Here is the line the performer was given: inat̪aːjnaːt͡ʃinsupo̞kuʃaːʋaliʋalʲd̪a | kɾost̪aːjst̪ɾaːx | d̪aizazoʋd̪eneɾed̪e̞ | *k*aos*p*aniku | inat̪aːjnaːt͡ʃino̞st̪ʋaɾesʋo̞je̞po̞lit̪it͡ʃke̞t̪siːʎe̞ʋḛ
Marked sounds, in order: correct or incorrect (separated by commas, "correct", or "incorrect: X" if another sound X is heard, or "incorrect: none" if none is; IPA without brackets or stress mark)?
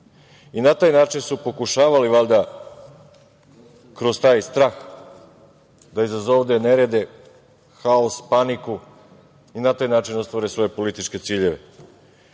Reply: incorrect: x, correct